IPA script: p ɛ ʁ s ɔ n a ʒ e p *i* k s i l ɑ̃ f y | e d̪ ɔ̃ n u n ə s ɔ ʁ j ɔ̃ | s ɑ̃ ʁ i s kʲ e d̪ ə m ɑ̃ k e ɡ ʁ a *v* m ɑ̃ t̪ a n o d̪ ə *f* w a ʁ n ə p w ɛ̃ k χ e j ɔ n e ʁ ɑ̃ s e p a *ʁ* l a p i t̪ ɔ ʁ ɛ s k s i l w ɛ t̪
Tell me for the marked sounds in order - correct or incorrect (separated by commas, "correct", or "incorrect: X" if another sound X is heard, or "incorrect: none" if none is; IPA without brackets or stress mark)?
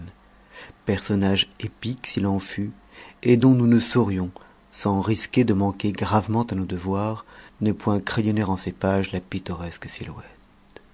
correct, correct, incorrect: v, incorrect: ʒ